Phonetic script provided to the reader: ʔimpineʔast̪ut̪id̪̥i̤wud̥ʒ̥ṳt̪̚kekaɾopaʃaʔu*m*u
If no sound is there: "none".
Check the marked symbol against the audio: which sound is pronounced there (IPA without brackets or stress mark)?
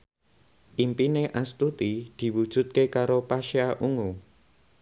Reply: ŋ